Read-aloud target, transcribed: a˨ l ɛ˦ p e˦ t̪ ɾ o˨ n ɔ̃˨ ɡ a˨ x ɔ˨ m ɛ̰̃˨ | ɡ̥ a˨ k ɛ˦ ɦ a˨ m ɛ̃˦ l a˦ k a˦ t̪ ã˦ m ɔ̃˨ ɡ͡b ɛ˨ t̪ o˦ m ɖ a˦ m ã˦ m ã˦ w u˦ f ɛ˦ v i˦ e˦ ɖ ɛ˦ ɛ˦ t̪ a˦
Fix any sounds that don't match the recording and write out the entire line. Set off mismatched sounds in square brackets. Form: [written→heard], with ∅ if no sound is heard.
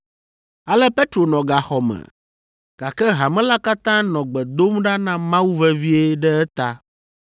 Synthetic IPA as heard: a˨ l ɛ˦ p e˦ t̪ ɾ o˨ n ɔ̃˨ ɡ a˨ x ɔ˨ m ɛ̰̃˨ | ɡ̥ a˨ k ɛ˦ ɦ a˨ m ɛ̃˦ l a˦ k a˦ t̪ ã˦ [m→n] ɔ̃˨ ɡ͡b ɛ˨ [t̪→d̪] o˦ m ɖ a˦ [m→n] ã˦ m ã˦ w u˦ [f→v] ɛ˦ v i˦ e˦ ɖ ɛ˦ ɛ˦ t̪ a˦